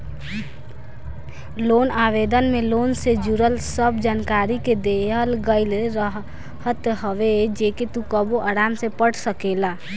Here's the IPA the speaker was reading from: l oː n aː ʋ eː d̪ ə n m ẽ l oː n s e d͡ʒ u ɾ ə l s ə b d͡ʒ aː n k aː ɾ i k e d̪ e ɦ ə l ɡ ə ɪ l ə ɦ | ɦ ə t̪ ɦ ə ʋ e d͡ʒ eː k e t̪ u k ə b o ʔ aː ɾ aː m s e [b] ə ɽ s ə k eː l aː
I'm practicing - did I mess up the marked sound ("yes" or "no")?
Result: yes